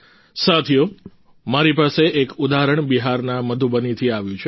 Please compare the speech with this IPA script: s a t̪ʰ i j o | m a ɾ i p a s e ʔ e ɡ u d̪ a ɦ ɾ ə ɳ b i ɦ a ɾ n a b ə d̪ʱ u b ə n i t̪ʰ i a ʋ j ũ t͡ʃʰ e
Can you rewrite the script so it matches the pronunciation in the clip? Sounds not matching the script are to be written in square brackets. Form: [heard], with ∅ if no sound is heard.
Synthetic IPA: s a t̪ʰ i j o | m a ɾ i p a s e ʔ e [k] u d̪ a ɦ ɾ ə ɳ b i ɦ a ɾ n a [m] ə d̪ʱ u b ə n i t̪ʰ i a ʋ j ũ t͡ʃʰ e